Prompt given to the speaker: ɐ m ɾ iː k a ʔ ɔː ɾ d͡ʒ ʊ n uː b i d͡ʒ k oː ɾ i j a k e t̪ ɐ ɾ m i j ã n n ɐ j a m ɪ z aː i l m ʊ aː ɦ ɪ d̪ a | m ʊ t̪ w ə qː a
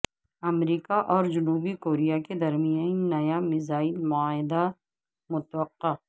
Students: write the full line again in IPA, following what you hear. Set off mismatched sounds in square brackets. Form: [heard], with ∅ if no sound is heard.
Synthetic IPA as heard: ɐ m ɾ iː k a ʔ ɔː ɾ d͡ʒ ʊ n uː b i [∅] k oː ɾ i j a k e [d̪] ɐ ɾ m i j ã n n ɐ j a m ɪ z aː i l m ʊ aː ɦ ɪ d̪ a | m ʊ t̪ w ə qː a